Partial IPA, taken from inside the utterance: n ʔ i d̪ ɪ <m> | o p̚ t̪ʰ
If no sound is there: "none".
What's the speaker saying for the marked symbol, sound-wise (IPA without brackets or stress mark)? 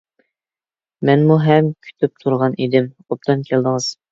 m